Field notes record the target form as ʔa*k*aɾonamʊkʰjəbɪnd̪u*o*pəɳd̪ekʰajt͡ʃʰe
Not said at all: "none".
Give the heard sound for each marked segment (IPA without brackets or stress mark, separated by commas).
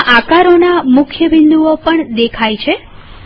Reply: k, o